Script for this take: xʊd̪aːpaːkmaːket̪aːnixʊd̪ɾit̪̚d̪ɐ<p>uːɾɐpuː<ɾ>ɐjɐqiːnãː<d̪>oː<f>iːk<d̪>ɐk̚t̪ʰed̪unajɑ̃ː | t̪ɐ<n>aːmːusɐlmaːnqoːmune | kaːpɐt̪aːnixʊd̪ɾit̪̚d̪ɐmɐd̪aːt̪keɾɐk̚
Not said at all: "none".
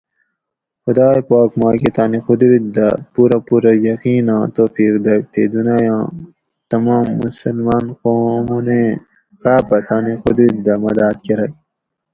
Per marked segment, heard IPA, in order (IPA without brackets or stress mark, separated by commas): p, ɾ, t̪, f, d̪, m